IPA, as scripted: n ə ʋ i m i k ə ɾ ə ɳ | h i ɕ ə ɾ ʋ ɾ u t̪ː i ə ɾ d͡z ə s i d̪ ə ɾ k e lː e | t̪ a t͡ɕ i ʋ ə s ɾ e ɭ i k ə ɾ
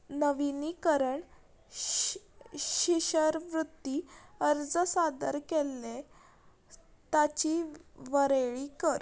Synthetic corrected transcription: n ə ʋ i n i k ə ɾ ə ɳ | ɕ i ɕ ə ɾ ʋ ɾ u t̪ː i ə ɾ d͡z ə s a d̪ ə ɾ k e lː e | t̪ a t͡ɕ i ʋ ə ɾ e ɭ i k ə ɾ